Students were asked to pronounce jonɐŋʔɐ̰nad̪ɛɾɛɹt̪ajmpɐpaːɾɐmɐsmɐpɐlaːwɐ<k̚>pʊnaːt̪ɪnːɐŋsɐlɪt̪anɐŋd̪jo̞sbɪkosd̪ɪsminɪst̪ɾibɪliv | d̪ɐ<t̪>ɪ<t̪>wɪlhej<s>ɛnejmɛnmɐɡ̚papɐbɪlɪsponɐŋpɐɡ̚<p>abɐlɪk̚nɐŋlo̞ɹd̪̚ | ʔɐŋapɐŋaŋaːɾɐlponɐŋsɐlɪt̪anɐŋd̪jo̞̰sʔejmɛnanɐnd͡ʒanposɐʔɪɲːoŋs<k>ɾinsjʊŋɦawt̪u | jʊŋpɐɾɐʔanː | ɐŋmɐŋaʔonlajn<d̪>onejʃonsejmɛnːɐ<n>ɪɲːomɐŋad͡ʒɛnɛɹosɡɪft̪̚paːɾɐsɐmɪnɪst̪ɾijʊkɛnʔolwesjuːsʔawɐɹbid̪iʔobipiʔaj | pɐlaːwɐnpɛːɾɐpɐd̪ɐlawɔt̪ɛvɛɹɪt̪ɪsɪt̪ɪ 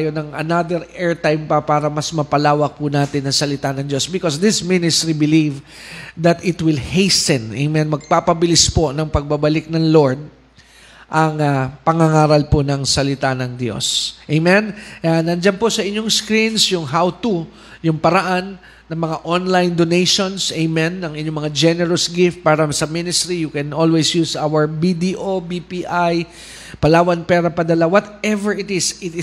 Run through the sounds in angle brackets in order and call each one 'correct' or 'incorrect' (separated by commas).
correct, correct, correct, correct, incorrect, correct, correct, incorrect